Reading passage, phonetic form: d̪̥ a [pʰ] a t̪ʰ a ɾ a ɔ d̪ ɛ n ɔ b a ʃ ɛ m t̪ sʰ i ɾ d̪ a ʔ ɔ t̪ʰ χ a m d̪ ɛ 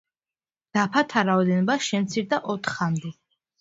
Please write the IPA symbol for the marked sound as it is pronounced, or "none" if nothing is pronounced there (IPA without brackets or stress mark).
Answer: pʰ